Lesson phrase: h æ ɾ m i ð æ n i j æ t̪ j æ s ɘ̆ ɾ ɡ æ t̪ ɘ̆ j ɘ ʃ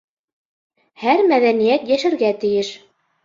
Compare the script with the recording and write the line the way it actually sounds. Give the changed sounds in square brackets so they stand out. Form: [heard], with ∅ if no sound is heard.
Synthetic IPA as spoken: h æ ɾ m [æ] ð æ n i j æ t̪ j æ [ʃ] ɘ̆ ɾ ɡ æ t̪ ɘ̆ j ɘ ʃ